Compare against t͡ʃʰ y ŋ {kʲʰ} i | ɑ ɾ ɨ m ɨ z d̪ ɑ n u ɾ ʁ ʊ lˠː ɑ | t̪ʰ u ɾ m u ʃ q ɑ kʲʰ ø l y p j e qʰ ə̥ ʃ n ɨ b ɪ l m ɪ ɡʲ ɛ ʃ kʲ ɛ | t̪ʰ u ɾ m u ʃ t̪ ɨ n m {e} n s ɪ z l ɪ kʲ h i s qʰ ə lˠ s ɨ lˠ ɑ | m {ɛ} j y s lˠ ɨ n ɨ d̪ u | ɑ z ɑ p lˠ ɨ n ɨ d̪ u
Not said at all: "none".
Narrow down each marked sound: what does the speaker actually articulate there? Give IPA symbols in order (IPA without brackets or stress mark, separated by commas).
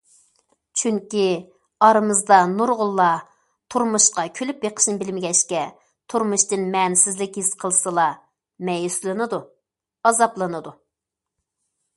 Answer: kʲ, ɛ, ɛ